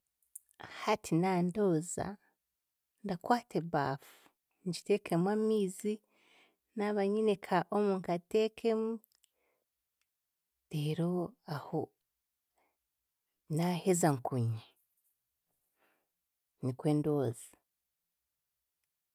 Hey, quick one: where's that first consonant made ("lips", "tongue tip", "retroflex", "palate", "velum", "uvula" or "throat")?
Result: throat